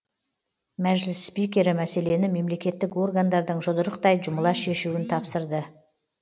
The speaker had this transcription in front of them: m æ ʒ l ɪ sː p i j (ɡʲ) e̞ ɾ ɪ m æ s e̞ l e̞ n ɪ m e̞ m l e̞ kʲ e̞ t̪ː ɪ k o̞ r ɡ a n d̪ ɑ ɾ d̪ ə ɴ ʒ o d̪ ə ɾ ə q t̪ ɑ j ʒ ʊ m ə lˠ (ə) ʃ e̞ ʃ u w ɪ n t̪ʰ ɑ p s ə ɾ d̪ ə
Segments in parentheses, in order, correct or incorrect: incorrect: kʲ, incorrect: ɑ

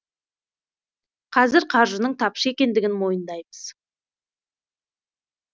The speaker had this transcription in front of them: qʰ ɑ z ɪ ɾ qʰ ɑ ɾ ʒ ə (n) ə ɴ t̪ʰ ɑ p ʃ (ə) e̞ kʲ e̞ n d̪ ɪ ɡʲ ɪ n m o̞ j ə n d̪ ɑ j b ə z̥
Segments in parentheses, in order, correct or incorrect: correct, correct

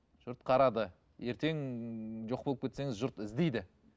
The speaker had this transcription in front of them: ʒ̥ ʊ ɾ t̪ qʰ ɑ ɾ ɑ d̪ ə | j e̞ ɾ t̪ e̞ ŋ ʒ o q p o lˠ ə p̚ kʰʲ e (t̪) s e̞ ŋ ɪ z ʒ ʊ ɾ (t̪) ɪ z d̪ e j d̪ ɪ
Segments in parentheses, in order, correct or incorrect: correct, correct

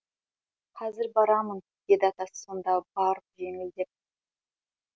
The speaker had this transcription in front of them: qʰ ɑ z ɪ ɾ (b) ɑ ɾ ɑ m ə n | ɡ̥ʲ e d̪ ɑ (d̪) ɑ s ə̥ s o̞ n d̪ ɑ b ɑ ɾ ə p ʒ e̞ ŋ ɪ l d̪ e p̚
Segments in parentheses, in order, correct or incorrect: correct, incorrect: t̪

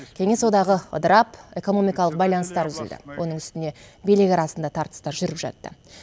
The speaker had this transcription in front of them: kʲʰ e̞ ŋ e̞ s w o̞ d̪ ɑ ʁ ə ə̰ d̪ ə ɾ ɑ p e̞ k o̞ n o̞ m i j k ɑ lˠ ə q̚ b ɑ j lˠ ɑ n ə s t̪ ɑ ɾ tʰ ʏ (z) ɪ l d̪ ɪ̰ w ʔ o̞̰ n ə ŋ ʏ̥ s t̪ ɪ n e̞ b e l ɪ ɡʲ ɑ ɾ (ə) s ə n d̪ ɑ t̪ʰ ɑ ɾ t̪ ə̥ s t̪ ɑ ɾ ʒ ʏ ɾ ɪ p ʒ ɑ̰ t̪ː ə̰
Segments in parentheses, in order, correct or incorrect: correct, incorrect: ɑ

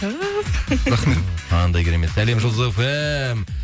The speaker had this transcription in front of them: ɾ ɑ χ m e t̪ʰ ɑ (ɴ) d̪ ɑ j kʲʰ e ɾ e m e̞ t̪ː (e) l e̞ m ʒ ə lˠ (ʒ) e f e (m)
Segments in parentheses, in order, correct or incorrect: incorrect: n, incorrect: æ, incorrect: z, correct

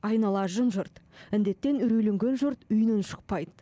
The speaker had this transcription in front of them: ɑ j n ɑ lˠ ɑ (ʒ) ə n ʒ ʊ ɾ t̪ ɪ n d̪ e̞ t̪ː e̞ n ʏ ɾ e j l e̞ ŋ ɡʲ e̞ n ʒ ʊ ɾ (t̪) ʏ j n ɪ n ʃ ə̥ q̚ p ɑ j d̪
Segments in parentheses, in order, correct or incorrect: correct, correct

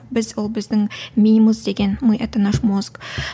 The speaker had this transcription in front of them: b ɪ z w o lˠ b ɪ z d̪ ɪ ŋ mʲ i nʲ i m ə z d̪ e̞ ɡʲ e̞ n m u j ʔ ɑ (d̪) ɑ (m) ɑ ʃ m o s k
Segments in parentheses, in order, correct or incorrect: incorrect: t̪, incorrect: n

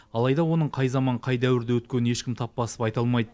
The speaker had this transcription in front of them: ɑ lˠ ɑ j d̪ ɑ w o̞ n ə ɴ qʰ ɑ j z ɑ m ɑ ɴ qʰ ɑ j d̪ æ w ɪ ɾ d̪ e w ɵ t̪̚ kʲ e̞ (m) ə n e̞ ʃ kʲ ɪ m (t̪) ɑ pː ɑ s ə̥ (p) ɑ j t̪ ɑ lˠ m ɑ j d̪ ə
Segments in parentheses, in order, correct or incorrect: incorrect: n, incorrect: t̪ʰ, correct

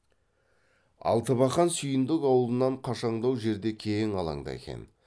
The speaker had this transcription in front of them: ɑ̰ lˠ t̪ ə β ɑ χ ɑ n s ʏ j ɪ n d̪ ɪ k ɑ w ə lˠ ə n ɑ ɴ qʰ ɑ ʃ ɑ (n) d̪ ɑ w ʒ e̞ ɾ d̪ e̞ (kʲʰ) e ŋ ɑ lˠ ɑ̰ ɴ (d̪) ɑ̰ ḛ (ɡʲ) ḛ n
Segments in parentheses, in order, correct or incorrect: incorrect: ɴ, correct, correct, incorrect: kʲ

